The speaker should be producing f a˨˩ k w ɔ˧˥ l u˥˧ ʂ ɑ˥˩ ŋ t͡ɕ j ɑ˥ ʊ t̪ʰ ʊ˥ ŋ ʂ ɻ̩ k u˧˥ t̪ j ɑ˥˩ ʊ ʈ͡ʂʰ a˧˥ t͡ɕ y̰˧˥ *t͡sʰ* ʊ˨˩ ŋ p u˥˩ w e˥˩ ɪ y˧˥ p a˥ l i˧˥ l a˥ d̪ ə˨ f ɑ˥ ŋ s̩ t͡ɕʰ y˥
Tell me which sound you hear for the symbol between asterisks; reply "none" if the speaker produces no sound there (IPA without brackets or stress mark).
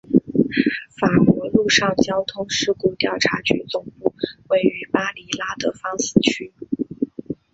t͡s